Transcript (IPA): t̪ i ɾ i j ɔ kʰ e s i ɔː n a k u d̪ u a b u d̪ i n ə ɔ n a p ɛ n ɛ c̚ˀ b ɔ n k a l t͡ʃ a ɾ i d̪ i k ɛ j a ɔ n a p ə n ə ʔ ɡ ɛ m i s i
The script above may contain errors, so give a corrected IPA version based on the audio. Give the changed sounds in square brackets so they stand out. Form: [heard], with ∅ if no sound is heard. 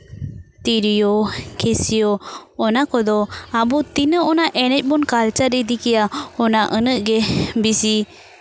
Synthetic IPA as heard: t̪ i ɾ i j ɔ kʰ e s i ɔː n a k [ɔ] d̪ [ɔ] a b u [t̪] i n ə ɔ n a [ʔ] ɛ n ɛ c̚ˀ b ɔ n k a l t͡ʃ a ɾ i d̪ i k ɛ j a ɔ n a [ʔ] ə n ə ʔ ɡ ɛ [b] i s i